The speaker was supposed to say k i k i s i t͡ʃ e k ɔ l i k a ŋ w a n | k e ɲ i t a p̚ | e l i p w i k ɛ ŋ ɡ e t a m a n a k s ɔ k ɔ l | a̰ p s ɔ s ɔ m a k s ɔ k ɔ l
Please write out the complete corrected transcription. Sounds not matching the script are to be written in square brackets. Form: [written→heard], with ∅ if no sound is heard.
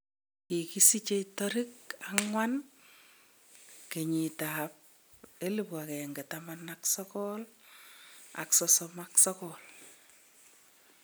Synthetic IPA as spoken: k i k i s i t͡ʃ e [k→t] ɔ [l→ɾ] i k a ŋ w a n | k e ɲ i t a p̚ | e l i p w [i→a] k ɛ ŋ ɡ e t a m a n a k s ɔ k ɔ l | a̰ [p→k] s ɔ s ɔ m a k s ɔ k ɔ l